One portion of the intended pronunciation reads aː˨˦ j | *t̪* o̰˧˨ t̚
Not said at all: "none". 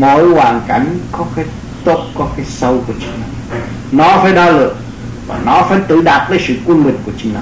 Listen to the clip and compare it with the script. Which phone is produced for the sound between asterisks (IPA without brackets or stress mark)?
t̪